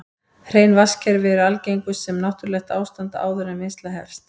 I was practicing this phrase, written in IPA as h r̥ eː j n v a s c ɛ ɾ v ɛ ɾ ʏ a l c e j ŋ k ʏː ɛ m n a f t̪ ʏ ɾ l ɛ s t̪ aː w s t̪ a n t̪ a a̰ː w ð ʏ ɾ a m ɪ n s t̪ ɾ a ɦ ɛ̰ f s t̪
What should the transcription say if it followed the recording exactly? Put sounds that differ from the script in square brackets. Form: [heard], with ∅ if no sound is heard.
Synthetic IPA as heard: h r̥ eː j n v a s c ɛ ɾ v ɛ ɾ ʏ a l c e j ŋ k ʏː ɛ m n a [h] t̪ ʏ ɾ l ɛ [x] t̪ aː w s t̪ a n t̪ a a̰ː w ð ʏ ɾ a m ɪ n s t̪ [l] a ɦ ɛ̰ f s t̪